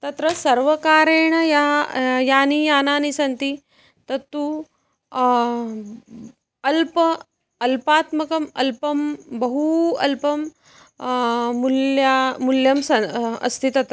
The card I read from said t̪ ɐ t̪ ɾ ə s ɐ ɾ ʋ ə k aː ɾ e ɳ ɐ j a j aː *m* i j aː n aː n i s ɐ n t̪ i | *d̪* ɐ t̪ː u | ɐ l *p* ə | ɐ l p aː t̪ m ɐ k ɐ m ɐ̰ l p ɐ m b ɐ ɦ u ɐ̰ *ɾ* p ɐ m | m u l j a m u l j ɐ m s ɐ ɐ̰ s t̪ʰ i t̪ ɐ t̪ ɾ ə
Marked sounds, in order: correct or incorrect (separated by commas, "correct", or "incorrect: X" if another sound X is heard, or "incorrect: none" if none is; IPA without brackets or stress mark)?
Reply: incorrect: n, incorrect: t̪, correct, incorrect: l